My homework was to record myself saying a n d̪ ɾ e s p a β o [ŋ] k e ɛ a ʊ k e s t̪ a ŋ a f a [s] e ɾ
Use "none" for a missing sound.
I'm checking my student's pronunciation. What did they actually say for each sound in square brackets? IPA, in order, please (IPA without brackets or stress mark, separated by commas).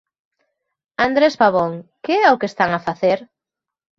ŋ, θ